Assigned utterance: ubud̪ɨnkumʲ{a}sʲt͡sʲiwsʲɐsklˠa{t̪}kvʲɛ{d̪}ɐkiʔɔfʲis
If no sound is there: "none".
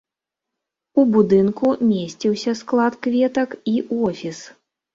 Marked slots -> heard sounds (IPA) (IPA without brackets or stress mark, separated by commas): e, t̪, t̪